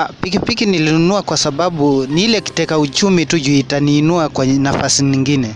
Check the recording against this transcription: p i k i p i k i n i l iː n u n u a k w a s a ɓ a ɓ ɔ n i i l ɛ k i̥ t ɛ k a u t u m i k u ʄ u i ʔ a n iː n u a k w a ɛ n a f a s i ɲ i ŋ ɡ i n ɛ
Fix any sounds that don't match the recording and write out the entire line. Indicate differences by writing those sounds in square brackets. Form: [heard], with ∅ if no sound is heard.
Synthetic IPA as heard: p i k i p i k i n i l [i] n u n u a k w a s a ɓ a ɓ [u] n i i l ɛ k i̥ t ɛ k a u [t͡ʃ] u m i [t] u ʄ u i [t] a n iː n u a k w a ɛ n a f a s i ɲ i ŋ ɡ i n ɛ